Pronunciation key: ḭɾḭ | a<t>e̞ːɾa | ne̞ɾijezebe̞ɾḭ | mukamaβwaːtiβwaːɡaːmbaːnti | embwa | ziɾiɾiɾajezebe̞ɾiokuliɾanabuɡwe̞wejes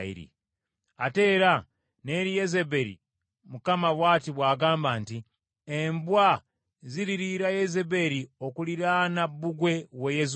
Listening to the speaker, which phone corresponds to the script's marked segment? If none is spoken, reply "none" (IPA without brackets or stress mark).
t